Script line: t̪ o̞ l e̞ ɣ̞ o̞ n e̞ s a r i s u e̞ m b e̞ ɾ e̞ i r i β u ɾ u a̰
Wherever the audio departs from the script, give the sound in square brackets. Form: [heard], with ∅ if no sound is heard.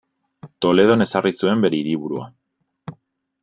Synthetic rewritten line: t̪ o̞ l e̞ [ð̞] o̞ n e̞ s a r i s u e̞ m b e̞ ɾ e̞ i [ɾ] i β u ɾ u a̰

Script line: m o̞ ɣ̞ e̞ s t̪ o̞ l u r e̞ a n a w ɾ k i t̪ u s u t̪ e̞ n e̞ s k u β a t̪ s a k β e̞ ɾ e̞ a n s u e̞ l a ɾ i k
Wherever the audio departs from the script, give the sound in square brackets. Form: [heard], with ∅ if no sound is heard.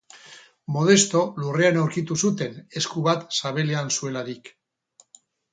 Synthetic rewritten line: m o̞ [ð̞] e̞ s t̪ o̞ l u r e̞ a n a w ɾ k i t̪ u s u t̪ e̞ n e̞ s k u β a t̪ s a [∅] β e̞ [l] e̞ a n s u e̞ l a ɾ i k

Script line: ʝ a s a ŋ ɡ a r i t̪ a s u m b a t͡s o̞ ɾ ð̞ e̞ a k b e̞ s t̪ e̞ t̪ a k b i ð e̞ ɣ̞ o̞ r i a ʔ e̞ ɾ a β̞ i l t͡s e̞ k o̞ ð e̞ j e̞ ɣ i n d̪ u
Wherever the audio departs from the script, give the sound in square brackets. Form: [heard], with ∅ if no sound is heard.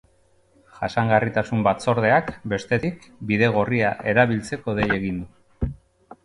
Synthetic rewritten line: ʝ a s a ŋ ɡ a r i t̪ a s u m b a t͡s o̞ ɾ ð̞ e̞ a k b e̞ s t̪ e̞ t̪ [i] k b i ð e̞ ɣ̞ o̞ r i a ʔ e̞ ɾ a β̞ i l t͡s e̞ k o̞ ð e̞ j e̞ ɣ i n d̪ u

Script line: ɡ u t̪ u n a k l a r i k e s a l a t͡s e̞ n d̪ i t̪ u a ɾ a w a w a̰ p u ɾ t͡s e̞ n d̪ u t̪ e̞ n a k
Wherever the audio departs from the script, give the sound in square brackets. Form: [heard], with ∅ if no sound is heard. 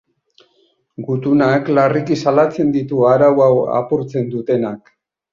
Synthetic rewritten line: ɡ u t̪ u n a k l a r i k [i] s a l a t͡s e̞ n d̪ i t̪ u a ɾ a w a w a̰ p u ɾ t͡s e̞ n d̪ u t̪ e̞ n a k

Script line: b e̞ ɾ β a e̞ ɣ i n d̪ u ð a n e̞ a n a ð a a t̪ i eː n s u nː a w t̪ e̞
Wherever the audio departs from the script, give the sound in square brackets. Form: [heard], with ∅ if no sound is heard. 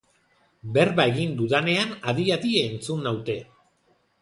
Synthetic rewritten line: b e̞ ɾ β a e̞ ɣ i n d̪ u ð a n e̞ a n a ð [i] a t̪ i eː n [t͡s] u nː a w t̪ e̞

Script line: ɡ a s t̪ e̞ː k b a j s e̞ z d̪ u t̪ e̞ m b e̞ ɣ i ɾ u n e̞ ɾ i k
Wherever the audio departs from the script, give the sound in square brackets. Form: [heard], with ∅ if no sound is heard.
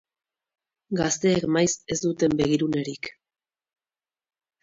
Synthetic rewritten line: ɡ a s t̪ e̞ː k [m] a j s e̞ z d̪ u t̪ e̞ m b e̞ ɣ i ɾ u n e̞ ɾ i k

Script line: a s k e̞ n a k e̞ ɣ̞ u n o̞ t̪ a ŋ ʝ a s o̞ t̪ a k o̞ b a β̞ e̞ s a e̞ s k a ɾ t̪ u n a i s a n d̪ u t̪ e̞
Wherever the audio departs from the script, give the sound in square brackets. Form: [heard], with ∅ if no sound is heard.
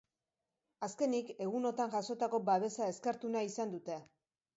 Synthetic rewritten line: a s k e̞ n [i] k e̞ ɣ̞ u n o̞ t̪ a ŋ ʝ a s o̞ t̪ a k o̞ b a β̞ e̞ s a e̞ s k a ɾ t̪ u n a i s a n d̪ u t̪ e̞

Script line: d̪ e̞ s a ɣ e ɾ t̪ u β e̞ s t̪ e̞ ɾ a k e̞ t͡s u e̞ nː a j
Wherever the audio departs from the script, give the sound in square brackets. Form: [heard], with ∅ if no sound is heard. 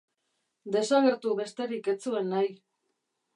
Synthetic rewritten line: d̪ e̞ s a ɣ e ɾ t̪ u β e̞ s t̪ e̞ ɾ [i] k e̞ t͡s u e̞ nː a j

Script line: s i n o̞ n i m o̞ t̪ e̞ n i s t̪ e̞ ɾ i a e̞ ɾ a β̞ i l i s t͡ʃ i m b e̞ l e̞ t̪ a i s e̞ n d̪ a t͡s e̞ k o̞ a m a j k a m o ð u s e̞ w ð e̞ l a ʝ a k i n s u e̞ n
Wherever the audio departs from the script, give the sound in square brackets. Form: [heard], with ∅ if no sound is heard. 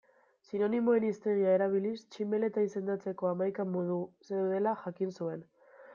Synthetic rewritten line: s i n o̞ n i m o̞ [∅] e̞ n i s t̪ e̞ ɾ i a e̞ ɾ a β̞ i l i s t͡ʃ i m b e̞ l e̞ t̪ a i s e̞ n d̪ a t͡s e̞ k o̞ a m a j k a m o ð u s e̞ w ð e̞ l a ʝ a k i n s u e̞ n

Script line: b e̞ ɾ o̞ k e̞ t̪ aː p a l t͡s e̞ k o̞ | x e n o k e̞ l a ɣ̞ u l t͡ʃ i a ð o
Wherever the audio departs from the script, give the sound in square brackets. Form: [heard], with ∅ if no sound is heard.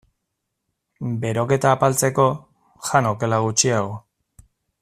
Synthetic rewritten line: b e̞ ɾ o̞ k e̞ t̪ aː p a l t͡s e̞ k o̞ | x [a] n o k e̞ l a ɣ̞ u [∅] t͡ʃ i a [ɣ] o

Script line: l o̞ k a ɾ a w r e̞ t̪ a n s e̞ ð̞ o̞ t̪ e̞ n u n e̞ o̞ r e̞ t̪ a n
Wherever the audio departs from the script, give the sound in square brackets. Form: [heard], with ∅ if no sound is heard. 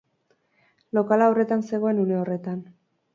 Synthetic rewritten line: l o̞ k a [l] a w r e̞ t̪ a n s e̞ [ɣ̞] o̞ [∅] e̞ n u n e̞ o̞ r e̞ t̪ a n

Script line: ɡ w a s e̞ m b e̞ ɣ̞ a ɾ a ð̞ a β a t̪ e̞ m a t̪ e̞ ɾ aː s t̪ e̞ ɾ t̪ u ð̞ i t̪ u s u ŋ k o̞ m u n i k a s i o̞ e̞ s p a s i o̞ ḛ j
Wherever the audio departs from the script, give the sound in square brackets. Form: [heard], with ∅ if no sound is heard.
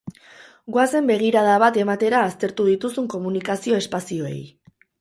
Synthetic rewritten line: ɡ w a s e̞ m b e̞ ɣ̞ [i] ɾ a ð̞ a β a t̪ e̞ m a t̪ e̞ ɾ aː s t̪ e̞ ɾ t̪ u ð̞ i t̪ u s u ŋ k o̞ m u n i k a s i o̞ e̞ s p a s i o̞ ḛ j

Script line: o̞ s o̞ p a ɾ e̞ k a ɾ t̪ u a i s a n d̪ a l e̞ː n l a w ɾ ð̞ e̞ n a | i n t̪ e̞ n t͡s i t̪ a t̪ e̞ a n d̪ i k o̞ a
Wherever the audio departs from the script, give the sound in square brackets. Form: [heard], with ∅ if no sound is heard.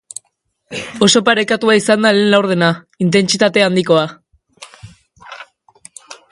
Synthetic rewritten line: o̞ s o̞ p a ɾ e̞ k a [∅] t̪ u a i s a n d̪ a l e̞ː n l a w ɾ ð̞ e̞ n a | i n t̪ e̞ n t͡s i t̪ a t̪ e̞ a n d̪ i k o̞ a

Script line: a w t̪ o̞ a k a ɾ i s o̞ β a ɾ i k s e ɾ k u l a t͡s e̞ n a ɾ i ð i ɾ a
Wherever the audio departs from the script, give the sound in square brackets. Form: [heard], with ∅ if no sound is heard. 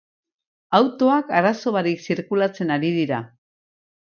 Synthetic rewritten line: a w t̪ o̞ a k a ɾ [a] s o̞ β a ɾ i k s [i] ɾ k u l a t͡s e̞ n a ɾ i ð i ɾ a

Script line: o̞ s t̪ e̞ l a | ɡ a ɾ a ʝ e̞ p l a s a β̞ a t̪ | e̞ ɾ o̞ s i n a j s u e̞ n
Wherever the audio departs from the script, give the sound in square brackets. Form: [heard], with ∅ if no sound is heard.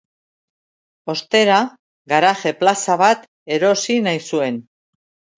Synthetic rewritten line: o̞ s t̪ e̞ [ɾ] a | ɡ a ɾ a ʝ e̞ p l a s a β̞ a t̪ | e̞ ɾ o̞ s i n a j s u e̞ n

